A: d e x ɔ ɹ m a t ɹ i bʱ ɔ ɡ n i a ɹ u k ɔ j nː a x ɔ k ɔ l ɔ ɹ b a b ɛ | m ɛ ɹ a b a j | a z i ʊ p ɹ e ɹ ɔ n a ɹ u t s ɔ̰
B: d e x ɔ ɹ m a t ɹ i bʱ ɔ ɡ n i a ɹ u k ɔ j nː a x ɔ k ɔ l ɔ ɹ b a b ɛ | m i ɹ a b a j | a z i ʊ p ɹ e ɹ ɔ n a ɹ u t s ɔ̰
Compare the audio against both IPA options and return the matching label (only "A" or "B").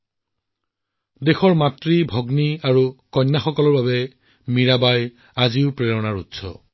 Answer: B